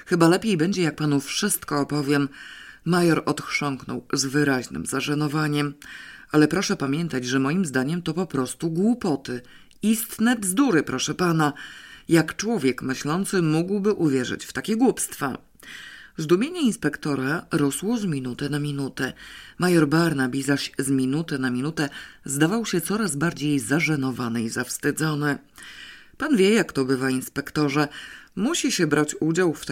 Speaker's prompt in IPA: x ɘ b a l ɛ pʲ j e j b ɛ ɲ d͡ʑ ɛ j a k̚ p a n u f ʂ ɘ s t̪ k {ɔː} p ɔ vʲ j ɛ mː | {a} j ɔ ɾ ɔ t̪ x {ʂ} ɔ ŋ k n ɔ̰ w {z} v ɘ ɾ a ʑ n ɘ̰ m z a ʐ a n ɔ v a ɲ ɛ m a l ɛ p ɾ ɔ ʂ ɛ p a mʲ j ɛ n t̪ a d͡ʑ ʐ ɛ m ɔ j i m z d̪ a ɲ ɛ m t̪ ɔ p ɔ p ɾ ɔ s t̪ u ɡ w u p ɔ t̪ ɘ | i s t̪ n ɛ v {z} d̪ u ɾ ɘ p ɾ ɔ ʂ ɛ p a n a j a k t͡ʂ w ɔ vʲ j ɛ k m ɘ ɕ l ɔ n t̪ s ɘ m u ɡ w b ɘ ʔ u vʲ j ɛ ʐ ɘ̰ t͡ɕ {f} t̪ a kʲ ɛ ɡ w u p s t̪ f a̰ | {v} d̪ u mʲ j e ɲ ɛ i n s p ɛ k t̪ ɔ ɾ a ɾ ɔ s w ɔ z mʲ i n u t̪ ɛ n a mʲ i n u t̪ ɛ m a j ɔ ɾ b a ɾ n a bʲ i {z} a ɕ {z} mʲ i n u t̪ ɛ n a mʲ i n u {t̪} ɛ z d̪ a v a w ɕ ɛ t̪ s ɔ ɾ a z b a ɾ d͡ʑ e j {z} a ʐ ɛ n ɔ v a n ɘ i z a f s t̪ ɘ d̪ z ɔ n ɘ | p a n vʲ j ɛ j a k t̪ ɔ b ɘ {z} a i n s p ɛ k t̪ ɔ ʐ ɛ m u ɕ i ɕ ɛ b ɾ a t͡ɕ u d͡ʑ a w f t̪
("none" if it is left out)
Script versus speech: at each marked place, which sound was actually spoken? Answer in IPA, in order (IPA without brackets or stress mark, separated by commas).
ɔː, a, ʂ, z, z, f, z, z, z, t̪, z, v